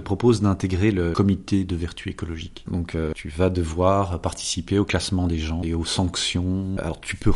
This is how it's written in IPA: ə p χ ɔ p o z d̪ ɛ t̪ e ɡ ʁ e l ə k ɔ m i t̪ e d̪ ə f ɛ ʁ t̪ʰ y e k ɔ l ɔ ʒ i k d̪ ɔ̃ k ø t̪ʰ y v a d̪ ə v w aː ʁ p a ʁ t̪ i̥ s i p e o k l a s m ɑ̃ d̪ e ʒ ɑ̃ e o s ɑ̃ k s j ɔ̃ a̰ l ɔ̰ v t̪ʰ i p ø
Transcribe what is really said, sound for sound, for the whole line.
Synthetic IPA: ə p χ ɔ p o z d̪ ɛ̃ t̪ e ɡ ʁ e l ə k ɔ m i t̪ e d̪ ə v ɛ ʁ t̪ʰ y e k ɔ l ɔ ʒ i k d̪ ɔ̃ k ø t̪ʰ y v a d̪ ə v w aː ʁ p a ʁ t̪ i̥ s i p e o k l a s m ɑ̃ d̪ e ʒ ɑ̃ e o s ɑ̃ k s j ɔ̃ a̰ l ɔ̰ ʁ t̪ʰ y p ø